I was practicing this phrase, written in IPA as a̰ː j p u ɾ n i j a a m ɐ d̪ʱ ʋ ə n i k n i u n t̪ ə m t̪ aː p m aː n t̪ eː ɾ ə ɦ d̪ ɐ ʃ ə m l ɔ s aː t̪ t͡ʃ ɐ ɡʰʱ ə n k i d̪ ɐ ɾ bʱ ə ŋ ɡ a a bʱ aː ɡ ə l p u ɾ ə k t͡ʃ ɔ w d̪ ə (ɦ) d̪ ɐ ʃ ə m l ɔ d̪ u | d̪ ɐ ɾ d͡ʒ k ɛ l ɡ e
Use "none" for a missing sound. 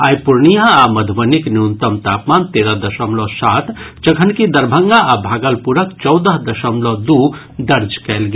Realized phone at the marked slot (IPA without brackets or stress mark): ɦ